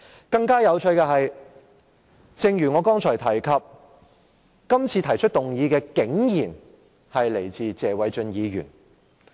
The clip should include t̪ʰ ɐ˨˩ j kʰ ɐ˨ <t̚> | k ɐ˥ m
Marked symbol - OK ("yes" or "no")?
no